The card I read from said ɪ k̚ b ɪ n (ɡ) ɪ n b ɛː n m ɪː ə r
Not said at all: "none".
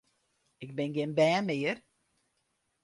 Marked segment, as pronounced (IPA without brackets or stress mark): ɡ